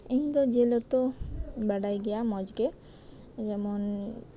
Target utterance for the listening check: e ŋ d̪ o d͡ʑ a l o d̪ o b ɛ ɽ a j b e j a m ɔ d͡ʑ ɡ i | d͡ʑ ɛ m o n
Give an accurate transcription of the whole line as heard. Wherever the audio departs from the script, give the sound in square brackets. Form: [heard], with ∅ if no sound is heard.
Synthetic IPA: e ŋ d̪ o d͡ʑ [e] l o [t̪] o b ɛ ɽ a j [ɡ] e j a m ɔ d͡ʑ ɡ [e] | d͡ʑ ɛ m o n